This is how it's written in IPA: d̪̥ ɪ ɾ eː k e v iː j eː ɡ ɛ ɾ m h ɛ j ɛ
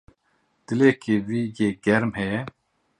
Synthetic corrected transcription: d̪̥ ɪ l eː k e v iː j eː ɡ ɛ ɾ m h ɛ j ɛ